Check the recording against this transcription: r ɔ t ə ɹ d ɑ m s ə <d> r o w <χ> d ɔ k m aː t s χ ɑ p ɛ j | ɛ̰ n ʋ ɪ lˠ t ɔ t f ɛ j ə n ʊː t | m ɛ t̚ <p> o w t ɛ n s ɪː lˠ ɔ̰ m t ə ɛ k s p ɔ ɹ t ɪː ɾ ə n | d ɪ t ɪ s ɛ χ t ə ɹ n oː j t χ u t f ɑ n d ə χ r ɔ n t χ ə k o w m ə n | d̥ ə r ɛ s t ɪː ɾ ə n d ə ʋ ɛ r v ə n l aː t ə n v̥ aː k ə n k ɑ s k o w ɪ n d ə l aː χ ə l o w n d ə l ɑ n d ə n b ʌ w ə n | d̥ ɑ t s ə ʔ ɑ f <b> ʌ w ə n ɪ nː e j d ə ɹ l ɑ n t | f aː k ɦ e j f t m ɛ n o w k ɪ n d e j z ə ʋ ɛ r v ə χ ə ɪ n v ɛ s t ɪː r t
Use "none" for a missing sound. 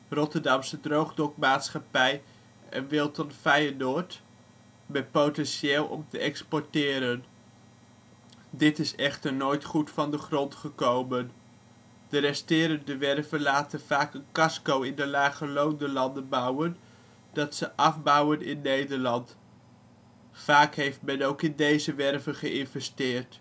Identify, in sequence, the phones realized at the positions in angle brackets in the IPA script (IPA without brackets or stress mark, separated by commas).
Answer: d, χ, p, b